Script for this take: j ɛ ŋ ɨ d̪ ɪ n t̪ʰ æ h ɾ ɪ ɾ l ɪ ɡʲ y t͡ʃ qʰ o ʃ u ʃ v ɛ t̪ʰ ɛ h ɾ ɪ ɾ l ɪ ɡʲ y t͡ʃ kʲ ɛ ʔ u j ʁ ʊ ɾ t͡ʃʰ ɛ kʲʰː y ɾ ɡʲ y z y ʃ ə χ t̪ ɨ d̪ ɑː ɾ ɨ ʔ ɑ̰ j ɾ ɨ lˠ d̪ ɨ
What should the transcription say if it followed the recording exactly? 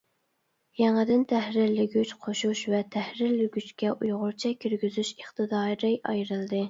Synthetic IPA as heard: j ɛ ŋ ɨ d̪ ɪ n t̪ʰ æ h ɾ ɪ ɾ l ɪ ɡʲ y t͡ʃ qʰ o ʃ u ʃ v ɛ t̪ʰ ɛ h ɾ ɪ ɾ l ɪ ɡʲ y t͡ʃ kʲ ɛ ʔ u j ʁ ʊ ɾ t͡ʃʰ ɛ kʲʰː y ɾ ɡʲ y z y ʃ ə χ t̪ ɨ d̪ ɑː ɾ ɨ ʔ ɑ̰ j ɾ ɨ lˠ d̪ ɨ